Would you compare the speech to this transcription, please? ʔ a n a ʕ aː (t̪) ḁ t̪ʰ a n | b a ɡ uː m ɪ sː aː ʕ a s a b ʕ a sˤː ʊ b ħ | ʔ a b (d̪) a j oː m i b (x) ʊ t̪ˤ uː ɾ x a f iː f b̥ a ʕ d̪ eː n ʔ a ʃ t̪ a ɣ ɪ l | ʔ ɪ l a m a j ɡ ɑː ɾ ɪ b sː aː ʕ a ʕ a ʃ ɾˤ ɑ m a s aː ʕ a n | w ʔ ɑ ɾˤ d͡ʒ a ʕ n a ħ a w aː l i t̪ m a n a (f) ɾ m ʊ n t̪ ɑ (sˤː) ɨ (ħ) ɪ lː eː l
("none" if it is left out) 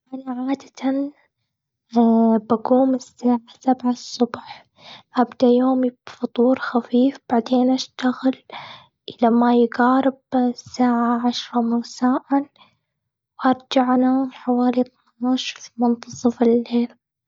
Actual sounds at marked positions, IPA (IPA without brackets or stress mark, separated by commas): d̪, d̪, f, ʃ, sˤ, f